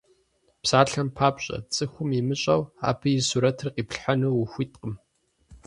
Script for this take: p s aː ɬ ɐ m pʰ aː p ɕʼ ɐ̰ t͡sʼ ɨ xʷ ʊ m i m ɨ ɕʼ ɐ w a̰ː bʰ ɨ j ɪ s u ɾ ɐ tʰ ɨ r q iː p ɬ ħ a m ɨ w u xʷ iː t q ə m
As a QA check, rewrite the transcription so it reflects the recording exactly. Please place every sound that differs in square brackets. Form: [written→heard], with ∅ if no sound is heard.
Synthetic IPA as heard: p s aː ɬ ɐ m pʰ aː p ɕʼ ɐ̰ t͡sʼ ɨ xʷ ʊ m i m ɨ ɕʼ ɐ w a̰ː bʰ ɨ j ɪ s u ɾ ɐ tʰ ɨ r q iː p ɬ ħ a [m→n] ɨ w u xʷ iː t q ə m